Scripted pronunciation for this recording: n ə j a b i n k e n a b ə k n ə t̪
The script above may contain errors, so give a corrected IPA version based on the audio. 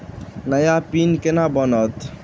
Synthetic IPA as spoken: n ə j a p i n k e n a b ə n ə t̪